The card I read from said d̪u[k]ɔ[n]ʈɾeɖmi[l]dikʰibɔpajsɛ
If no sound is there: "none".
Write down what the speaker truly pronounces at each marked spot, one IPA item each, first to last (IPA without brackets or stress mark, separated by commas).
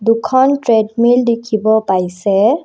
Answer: kʰ, n, l